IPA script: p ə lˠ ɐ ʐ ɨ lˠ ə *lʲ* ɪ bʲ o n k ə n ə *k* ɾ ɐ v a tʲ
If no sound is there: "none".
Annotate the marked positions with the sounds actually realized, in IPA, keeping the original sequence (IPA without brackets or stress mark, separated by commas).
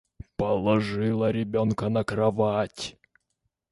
ɾʲ, k